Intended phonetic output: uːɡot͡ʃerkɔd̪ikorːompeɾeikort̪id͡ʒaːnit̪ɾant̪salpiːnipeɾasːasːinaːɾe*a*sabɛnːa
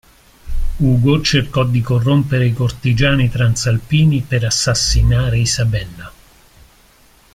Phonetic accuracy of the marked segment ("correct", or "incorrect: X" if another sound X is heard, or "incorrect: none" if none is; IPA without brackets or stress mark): incorrect: i